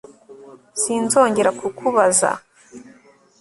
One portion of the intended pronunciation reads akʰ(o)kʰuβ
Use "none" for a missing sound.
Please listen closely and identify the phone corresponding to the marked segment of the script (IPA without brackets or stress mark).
u